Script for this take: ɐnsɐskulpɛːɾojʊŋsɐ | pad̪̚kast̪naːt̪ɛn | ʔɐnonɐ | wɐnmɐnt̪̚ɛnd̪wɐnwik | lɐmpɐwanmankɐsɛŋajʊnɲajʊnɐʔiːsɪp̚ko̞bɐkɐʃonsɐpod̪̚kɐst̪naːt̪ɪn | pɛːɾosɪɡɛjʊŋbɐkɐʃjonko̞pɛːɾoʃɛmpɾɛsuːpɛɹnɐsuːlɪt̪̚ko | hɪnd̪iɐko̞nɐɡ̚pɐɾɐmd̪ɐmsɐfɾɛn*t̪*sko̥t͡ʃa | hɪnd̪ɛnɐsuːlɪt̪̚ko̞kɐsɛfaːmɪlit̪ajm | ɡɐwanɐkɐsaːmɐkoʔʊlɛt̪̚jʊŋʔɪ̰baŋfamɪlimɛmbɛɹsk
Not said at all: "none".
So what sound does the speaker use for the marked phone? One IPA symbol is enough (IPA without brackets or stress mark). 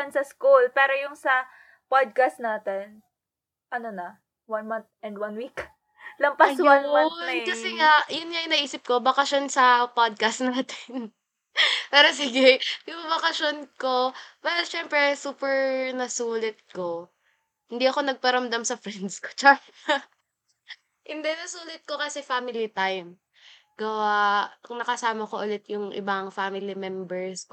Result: d̪